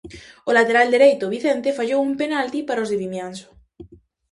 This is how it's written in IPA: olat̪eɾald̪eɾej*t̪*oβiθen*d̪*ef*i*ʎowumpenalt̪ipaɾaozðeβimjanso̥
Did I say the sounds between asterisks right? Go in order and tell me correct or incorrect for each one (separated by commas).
correct, incorrect, incorrect